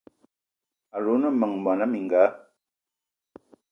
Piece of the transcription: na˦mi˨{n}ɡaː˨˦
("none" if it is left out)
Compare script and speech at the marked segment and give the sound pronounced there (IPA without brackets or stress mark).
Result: ŋ